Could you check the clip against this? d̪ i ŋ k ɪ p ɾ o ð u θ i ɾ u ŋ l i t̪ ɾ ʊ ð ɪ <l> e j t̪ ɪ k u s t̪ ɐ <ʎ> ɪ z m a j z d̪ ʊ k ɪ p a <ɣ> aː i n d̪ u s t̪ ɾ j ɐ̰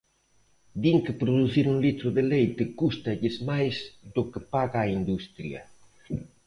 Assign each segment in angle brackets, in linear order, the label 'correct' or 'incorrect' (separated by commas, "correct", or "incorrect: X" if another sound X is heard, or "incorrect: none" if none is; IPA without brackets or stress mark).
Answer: correct, correct, correct